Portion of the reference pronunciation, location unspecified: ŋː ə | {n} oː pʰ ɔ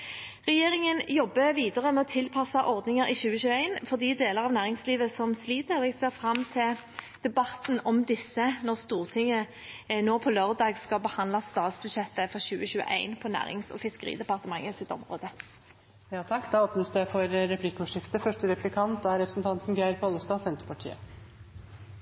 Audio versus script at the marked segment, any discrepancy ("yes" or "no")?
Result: no